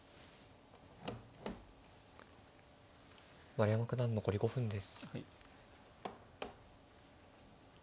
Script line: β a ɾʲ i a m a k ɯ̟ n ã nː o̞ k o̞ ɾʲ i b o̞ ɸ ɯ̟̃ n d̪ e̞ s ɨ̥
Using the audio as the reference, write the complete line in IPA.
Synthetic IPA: β a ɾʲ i a m a k ɯ̟ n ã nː o̞ k o̞ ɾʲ i ɡ o̞ ɸ ɯ̟̃ n d̪ e̞ s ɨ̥